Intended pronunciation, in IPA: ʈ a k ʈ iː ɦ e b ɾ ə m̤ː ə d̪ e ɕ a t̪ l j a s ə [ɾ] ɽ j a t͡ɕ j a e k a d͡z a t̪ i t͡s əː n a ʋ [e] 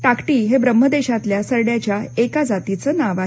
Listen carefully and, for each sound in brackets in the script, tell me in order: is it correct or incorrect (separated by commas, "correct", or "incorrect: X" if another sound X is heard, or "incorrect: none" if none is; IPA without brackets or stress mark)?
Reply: correct, incorrect: a